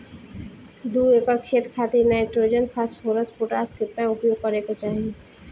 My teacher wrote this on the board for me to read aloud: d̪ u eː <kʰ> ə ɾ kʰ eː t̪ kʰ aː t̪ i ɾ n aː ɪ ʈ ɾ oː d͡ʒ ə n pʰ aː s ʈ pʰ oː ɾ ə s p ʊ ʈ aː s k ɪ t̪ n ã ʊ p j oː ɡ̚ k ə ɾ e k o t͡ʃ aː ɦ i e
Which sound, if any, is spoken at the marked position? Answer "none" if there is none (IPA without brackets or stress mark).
k